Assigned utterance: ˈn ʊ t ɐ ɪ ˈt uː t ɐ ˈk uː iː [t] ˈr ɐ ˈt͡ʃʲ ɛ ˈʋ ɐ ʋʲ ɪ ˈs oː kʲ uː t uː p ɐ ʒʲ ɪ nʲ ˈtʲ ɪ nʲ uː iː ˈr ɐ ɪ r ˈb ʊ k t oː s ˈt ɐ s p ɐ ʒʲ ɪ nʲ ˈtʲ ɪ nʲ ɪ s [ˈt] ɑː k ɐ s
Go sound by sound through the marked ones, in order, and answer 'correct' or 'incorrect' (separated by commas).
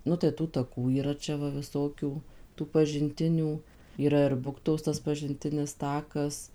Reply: incorrect, correct